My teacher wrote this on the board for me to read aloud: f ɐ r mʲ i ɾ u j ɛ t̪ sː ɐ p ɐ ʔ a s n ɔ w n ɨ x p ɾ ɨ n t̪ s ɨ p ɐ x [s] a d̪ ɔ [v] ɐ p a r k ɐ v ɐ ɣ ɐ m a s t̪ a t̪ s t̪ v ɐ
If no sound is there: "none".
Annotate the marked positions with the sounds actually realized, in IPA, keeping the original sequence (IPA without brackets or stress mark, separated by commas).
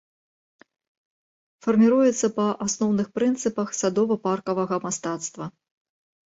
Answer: s, v